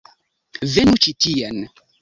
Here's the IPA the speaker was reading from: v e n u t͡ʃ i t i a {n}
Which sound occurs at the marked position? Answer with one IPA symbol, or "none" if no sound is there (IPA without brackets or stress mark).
n